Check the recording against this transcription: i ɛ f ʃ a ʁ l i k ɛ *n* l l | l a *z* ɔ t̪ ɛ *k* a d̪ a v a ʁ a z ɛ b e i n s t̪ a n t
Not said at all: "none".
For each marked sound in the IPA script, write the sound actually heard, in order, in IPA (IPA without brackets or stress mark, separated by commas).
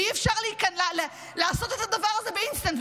n, s, t